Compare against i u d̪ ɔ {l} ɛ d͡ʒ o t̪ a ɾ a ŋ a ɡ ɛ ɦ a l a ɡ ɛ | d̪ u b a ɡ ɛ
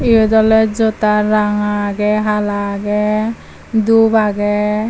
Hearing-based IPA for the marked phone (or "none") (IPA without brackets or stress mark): l